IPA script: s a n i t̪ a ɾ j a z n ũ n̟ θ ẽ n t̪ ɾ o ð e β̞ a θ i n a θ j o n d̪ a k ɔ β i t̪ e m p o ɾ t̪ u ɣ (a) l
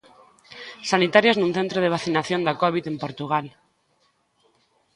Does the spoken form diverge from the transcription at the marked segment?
no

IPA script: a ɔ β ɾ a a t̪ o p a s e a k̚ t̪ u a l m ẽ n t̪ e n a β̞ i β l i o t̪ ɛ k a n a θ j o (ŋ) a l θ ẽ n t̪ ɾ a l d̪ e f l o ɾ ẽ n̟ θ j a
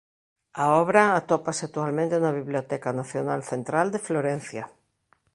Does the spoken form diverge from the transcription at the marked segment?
yes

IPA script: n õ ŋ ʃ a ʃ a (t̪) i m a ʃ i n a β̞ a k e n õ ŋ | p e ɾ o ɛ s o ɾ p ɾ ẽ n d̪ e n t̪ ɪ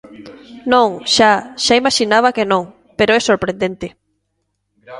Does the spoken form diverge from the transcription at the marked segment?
yes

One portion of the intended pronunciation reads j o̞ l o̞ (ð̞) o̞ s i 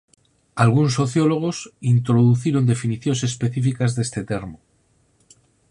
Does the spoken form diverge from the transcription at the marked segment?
yes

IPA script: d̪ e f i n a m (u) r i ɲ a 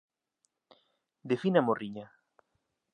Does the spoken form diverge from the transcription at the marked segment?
yes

